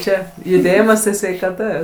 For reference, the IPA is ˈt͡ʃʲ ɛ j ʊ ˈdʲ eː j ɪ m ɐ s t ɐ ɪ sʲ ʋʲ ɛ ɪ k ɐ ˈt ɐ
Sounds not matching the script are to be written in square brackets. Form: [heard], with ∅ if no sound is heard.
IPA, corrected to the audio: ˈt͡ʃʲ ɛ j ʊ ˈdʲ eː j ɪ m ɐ s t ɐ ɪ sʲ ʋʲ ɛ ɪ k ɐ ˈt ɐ